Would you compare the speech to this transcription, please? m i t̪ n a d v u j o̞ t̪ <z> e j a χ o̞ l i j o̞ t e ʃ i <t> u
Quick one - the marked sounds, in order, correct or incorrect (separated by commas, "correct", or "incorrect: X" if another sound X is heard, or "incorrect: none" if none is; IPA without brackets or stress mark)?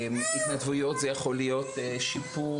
correct, incorrect: p